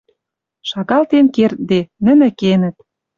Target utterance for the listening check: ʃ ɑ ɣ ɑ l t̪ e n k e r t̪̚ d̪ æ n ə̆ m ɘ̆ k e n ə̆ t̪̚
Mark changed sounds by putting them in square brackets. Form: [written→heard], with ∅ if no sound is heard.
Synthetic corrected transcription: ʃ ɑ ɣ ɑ l t̪ e n k e r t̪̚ d̪ [æ→e] n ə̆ [m→n] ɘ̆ k e n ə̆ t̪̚